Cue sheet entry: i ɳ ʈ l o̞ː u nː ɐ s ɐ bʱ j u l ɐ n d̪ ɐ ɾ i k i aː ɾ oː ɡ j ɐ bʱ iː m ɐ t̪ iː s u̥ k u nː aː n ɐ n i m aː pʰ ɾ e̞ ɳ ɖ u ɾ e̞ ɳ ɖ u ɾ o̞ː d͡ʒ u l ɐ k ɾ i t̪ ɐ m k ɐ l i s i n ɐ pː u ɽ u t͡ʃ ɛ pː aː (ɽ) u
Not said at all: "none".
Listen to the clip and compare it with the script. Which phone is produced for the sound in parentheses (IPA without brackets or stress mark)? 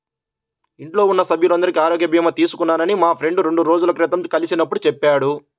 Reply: ɽ